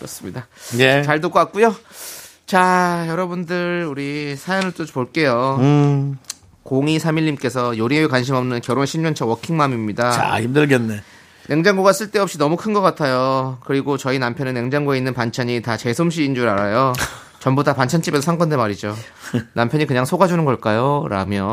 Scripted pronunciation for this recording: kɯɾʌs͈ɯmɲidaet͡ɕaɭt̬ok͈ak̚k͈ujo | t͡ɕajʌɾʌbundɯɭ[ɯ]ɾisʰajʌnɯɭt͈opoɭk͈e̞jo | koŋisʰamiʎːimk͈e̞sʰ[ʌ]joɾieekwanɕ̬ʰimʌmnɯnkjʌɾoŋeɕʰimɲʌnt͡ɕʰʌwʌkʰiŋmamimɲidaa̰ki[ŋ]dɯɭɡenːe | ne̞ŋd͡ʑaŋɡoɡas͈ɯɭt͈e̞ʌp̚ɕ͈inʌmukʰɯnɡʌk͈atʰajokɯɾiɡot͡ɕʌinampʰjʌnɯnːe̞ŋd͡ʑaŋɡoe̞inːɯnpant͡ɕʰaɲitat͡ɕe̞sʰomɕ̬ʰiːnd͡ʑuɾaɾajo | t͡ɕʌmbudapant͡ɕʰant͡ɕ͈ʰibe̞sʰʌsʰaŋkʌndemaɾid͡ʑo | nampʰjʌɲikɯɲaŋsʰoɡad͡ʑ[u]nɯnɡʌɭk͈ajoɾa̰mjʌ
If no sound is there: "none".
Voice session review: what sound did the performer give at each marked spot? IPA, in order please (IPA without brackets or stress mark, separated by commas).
u, ʌ, m, u